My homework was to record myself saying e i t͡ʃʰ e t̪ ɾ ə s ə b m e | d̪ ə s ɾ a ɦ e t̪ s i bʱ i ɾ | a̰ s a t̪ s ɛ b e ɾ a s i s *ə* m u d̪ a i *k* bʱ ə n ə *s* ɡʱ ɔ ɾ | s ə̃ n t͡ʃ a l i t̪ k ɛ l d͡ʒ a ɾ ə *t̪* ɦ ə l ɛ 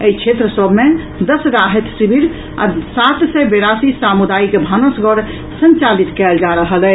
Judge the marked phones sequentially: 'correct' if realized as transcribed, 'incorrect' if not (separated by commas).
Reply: incorrect, correct, correct, incorrect